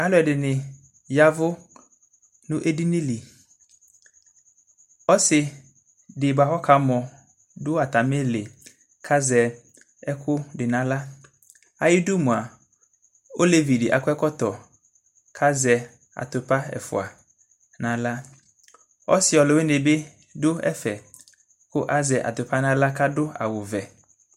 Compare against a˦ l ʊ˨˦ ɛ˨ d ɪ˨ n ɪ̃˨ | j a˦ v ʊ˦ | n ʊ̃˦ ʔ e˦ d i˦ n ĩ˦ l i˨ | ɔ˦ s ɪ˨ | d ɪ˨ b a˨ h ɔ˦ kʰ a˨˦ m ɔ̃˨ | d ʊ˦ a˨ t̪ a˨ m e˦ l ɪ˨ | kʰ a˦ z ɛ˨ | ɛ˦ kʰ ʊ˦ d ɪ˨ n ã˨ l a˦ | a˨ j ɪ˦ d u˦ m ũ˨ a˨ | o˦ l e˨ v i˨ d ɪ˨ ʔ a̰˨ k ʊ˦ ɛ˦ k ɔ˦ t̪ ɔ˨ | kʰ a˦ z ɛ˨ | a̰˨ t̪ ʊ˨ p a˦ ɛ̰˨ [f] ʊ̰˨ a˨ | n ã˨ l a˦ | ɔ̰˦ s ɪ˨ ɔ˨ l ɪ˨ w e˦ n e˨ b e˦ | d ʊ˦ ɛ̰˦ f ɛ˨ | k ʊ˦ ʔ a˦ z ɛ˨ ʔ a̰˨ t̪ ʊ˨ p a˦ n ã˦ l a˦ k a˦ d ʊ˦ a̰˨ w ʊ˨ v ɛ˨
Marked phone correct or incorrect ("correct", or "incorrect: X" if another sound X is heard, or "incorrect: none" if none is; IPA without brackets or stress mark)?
correct